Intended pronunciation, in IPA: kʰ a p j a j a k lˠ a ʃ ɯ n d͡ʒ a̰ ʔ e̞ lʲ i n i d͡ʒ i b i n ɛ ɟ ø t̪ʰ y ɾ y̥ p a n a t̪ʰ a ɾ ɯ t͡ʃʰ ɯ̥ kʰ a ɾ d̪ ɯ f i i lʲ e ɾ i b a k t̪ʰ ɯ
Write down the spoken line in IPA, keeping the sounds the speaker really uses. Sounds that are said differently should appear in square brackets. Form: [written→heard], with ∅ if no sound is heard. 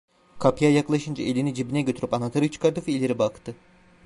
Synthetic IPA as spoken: kʰ a p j a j a k lˠ a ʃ ɯ n d͡ʒ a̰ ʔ e̞ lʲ i n i d͡ʒ i b i n ɛ ɟ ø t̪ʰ y ɾ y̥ p a n a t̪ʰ a ɾ ɯ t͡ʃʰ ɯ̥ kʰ a ɾ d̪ ɯ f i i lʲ e ɾ i b a k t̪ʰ ɯ